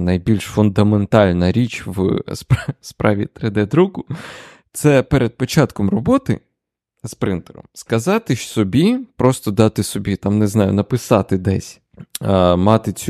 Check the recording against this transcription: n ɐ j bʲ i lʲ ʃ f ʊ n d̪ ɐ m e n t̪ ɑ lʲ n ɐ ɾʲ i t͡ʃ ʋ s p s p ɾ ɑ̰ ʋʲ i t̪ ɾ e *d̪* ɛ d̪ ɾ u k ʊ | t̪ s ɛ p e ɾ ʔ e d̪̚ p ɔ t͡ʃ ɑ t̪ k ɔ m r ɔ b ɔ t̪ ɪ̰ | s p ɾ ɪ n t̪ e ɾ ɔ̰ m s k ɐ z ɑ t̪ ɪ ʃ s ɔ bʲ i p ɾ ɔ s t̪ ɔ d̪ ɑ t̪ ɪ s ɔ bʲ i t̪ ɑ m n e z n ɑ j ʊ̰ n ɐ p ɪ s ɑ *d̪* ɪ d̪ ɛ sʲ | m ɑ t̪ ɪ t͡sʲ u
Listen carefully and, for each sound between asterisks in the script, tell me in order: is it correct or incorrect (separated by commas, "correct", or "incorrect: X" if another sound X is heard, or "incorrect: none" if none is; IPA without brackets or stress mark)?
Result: correct, incorrect: t̪